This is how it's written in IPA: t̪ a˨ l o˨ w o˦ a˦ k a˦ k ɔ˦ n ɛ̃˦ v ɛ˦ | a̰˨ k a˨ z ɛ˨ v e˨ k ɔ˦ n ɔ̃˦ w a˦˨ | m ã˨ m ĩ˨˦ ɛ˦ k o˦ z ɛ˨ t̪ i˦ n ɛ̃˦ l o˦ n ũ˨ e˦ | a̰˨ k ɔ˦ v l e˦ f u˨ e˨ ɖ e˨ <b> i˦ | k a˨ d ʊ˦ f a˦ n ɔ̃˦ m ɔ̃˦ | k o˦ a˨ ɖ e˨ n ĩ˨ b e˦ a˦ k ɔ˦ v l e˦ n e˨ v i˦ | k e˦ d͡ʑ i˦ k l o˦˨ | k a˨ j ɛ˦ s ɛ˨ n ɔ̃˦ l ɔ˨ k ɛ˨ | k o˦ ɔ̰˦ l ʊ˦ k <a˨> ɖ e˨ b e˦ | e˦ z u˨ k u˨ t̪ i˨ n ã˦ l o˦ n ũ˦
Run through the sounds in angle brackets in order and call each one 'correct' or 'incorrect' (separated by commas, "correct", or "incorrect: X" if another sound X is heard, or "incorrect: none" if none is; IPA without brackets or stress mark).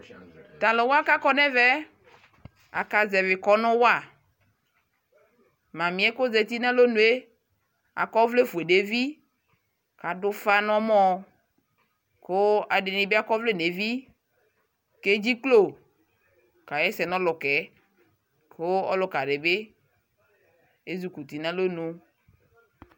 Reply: incorrect: v, correct